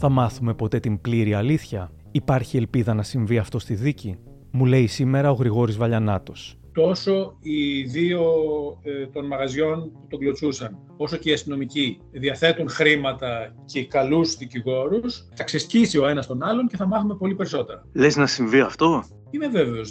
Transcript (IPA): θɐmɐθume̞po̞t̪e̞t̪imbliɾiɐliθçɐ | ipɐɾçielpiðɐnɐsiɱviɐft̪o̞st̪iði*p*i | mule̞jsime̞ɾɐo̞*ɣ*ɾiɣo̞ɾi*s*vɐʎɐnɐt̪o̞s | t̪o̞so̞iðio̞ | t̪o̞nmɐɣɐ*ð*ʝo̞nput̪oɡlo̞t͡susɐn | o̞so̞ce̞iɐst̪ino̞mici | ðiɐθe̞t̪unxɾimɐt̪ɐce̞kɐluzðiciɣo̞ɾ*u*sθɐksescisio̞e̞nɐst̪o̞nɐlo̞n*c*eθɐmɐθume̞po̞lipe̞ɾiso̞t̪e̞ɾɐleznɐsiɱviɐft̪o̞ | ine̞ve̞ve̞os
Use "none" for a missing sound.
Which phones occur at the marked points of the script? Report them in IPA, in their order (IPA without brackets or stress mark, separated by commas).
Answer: c, ɣ, z, z, u, c